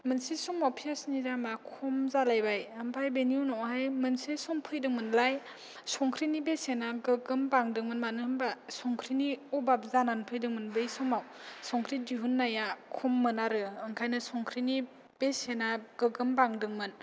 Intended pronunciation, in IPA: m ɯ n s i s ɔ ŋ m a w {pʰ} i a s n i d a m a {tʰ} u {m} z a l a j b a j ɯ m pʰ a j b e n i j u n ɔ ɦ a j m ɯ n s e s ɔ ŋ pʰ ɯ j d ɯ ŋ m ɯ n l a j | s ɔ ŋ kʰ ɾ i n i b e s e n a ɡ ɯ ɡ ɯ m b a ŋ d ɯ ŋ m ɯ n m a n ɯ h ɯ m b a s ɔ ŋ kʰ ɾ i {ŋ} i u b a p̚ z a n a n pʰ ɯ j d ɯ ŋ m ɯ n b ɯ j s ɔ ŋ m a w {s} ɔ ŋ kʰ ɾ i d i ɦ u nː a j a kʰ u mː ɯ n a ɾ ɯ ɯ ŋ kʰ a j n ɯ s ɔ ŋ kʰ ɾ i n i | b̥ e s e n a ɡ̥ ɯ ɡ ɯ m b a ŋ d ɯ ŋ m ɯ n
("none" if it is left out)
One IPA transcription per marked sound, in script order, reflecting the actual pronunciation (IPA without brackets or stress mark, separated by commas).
pʰ, kʰ, m, n, s